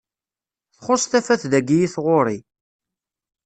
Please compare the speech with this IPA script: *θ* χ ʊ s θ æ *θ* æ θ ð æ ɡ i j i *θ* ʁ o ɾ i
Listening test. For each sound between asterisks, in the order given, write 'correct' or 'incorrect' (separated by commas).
correct, incorrect, correct